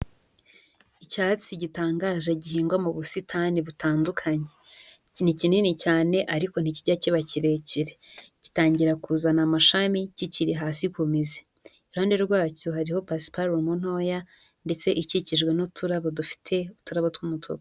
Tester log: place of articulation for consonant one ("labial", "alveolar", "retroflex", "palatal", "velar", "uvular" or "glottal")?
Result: palatal